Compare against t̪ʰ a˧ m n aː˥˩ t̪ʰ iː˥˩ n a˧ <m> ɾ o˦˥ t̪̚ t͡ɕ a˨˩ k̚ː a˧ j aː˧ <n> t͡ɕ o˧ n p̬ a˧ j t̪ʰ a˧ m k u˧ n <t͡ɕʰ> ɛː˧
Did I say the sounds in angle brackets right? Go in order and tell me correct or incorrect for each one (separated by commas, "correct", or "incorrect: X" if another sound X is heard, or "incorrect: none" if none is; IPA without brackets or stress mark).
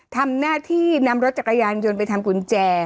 correct, correct, incorrect: t͡ɕ